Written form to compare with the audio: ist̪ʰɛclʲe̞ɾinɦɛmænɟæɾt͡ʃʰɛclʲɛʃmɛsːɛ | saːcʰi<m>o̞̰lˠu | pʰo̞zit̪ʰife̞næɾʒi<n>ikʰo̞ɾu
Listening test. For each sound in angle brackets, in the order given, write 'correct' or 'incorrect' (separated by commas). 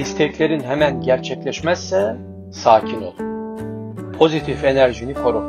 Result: incorrect, correct